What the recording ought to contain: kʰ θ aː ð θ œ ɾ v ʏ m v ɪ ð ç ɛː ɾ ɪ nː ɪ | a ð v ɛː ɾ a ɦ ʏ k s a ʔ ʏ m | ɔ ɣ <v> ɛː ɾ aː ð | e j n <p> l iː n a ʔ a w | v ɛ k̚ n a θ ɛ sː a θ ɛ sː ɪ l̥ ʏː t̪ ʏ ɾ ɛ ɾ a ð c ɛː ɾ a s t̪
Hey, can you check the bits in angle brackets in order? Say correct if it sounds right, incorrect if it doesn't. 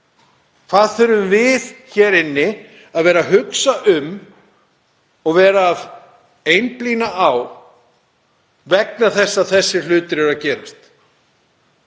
correct, correct

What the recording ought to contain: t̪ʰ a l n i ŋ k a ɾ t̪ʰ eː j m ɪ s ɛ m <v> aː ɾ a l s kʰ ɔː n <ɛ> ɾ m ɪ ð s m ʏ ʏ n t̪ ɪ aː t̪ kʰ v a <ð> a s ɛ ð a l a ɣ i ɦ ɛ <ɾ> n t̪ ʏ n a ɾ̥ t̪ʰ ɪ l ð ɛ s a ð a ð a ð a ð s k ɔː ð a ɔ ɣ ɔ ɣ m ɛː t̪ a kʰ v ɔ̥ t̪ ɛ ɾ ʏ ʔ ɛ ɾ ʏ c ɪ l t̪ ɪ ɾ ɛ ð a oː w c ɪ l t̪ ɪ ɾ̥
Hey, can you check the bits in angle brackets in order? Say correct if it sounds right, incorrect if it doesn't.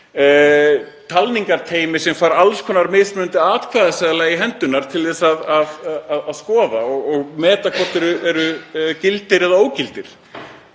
incorrect, incorrect, correct, incorrect

